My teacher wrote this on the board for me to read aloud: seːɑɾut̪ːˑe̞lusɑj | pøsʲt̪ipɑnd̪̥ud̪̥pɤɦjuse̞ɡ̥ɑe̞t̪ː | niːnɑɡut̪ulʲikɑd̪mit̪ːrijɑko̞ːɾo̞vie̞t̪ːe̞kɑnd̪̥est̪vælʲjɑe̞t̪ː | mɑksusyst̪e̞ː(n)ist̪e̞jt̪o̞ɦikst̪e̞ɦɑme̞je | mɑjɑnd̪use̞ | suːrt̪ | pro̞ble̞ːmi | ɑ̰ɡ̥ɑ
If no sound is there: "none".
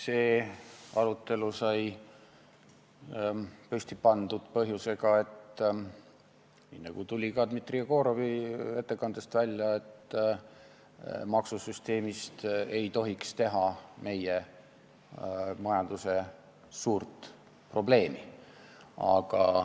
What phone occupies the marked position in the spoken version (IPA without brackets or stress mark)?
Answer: m